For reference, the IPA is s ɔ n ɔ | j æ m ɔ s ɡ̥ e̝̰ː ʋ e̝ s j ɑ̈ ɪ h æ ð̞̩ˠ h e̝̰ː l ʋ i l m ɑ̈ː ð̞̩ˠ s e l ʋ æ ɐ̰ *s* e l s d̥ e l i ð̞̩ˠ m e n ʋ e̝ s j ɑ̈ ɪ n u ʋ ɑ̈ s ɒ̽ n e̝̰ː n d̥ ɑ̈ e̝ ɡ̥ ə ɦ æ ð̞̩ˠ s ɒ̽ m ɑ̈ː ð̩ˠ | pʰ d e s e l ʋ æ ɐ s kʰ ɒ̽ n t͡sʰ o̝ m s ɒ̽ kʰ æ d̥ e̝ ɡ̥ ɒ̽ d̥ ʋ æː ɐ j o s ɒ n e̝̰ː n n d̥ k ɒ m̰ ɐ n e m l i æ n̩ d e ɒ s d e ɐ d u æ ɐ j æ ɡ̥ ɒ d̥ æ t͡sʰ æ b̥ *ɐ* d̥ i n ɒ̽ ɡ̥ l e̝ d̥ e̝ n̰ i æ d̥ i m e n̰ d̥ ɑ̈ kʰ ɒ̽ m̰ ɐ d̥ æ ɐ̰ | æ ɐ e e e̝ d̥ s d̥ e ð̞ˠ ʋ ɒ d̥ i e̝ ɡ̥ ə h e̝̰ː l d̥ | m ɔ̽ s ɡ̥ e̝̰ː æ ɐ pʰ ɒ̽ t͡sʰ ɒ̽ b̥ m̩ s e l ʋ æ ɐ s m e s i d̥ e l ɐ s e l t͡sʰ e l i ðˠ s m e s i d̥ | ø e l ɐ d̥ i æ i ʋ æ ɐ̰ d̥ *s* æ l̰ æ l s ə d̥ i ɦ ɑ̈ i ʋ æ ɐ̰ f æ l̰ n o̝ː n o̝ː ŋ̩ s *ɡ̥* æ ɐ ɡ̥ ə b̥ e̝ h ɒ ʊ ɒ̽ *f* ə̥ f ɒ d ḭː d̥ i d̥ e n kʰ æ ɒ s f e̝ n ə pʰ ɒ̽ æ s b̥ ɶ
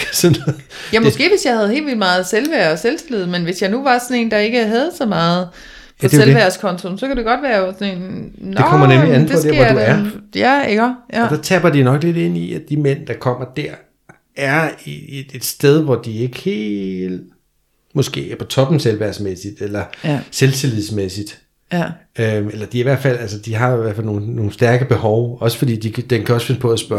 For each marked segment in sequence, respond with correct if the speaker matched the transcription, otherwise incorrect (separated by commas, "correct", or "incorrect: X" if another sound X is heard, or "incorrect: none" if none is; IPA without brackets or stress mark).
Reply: correct, correct, incorrect: f, incorrect: d̥, incorrect: s